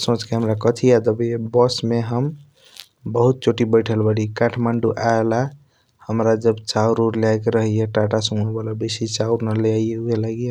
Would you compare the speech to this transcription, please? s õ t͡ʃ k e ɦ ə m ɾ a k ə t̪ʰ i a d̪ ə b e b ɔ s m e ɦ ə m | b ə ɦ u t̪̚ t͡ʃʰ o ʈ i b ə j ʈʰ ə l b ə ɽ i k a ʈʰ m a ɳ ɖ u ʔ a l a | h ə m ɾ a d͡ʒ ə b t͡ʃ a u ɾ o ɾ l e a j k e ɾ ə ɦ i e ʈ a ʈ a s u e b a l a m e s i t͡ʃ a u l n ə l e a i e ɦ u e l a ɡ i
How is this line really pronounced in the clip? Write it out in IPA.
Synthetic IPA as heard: s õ t͡ʃ k e ɦ ə m ɾ a k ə t̪ʰ i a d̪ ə b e b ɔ s m e ɦ ə m | b ə ɦ u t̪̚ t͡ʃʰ o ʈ i b ə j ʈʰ ə l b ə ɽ i k a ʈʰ m a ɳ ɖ u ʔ a l a | h ə m ɾ a d͡ʒ ə b t͡ʃ a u ɾ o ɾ l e a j k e ɾ ə ɦ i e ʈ a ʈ a s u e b a l a b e s i t͡ʃ a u ɾ n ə l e a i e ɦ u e l a ɡ i